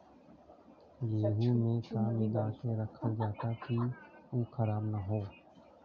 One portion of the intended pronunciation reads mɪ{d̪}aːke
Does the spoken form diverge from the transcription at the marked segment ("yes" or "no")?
no